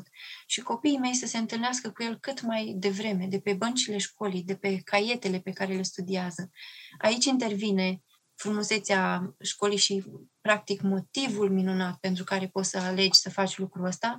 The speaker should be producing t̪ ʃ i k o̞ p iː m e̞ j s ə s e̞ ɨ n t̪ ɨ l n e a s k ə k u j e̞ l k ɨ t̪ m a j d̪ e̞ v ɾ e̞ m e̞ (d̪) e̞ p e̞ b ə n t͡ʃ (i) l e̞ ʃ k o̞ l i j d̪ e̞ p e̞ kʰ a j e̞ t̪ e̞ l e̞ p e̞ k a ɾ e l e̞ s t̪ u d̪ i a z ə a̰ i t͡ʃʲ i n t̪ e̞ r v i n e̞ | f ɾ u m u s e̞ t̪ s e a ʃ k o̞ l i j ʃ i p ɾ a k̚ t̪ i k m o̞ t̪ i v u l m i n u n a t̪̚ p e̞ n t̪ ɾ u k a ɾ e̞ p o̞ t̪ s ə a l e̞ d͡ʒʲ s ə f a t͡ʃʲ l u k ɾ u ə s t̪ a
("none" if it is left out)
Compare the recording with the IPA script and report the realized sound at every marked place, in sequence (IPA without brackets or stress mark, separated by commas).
d̪, i